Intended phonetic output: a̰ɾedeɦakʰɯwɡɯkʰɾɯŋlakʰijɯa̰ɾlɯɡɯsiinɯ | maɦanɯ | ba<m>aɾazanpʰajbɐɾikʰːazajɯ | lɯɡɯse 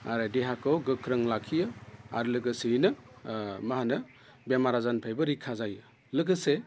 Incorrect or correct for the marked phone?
correct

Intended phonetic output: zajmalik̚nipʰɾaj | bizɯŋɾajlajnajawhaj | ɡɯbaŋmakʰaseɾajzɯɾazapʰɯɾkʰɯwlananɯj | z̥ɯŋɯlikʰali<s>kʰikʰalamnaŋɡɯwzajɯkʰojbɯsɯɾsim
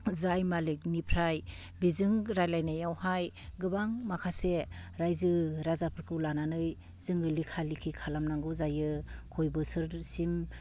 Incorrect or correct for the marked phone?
incorrect: none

